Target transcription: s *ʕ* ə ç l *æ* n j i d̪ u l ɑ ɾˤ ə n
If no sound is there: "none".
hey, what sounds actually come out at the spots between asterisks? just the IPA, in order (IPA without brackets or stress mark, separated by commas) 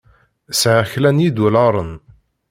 ʕ, æ